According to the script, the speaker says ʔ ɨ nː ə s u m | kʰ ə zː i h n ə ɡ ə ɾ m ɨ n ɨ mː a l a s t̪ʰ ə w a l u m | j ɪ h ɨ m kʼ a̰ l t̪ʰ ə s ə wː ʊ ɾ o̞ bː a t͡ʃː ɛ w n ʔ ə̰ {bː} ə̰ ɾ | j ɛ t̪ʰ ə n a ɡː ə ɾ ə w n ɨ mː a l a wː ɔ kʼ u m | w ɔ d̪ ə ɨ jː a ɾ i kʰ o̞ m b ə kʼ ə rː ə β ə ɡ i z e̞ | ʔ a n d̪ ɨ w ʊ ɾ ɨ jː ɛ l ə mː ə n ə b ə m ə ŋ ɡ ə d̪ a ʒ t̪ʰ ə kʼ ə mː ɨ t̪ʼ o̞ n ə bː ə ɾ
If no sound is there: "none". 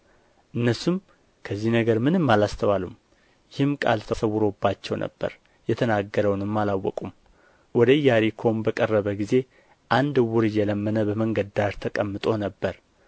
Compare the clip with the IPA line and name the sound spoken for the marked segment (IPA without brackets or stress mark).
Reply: bː